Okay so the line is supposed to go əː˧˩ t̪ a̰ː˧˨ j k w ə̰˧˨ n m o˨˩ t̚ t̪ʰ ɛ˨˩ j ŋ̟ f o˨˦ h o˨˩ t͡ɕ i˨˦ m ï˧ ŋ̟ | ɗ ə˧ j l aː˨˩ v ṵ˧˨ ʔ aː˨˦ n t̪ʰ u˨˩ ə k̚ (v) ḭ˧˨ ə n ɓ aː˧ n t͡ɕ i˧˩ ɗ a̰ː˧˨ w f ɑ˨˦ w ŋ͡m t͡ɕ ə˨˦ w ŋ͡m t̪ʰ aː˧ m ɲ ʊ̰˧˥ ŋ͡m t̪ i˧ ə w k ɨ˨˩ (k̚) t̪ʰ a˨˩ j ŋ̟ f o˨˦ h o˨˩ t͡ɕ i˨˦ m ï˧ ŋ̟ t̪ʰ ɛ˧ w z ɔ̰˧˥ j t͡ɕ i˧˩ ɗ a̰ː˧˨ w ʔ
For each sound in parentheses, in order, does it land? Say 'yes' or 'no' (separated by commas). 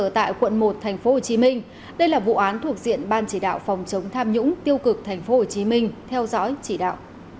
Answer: no, yes